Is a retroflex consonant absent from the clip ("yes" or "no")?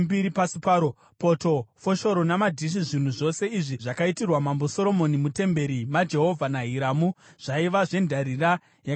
no